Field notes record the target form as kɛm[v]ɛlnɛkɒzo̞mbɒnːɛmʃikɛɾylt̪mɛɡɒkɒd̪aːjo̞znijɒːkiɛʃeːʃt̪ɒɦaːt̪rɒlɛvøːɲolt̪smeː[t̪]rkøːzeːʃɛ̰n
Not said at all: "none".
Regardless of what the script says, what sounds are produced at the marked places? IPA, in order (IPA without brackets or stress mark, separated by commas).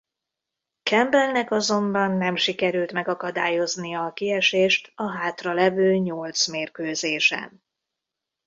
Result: b, none